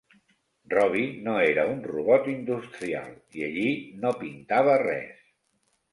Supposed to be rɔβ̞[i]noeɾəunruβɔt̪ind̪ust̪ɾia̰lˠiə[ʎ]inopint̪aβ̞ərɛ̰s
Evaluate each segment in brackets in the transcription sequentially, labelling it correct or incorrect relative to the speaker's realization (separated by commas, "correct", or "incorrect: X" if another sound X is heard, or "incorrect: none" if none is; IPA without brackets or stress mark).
correct, correct